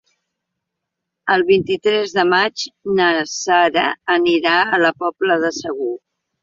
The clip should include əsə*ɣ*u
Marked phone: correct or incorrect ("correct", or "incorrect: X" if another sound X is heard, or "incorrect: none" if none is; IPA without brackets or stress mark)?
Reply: correct